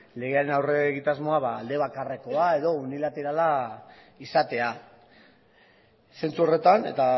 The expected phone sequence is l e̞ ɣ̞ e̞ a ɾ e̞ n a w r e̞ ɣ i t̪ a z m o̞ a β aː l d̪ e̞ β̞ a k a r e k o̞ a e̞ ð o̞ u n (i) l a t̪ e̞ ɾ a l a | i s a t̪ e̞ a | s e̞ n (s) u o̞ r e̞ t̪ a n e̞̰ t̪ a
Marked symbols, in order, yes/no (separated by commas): yes, no